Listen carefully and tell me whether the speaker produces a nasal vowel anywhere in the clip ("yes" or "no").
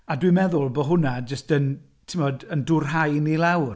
no